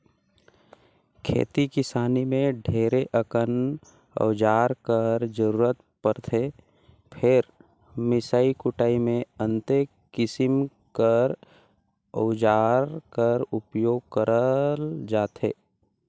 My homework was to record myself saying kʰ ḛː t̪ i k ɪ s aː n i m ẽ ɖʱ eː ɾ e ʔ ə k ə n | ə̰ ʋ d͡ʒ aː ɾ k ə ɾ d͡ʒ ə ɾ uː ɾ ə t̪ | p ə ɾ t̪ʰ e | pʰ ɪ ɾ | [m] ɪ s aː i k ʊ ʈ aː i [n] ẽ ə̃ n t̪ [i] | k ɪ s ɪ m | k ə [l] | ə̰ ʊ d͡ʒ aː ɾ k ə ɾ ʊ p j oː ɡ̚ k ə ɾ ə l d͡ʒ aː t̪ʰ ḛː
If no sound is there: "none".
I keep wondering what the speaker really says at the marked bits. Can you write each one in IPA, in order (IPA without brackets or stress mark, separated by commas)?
m, m, e, ɾ